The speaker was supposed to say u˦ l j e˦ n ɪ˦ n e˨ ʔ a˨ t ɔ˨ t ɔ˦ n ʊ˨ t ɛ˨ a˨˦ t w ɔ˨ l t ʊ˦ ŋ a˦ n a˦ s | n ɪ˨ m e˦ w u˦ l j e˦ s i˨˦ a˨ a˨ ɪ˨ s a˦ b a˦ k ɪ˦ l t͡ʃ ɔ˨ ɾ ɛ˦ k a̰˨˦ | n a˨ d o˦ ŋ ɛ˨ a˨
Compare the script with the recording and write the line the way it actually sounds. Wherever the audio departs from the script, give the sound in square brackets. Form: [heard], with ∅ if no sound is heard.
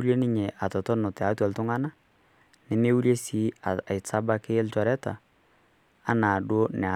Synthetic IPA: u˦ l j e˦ n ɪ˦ [ɲ] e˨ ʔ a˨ t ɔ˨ t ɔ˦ n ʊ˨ t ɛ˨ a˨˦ t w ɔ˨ l t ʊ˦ ŋ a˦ n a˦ [∅] | n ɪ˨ m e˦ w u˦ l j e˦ s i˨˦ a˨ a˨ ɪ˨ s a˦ b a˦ k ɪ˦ l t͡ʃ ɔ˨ ɾ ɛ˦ [t] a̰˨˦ | n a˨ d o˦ [n] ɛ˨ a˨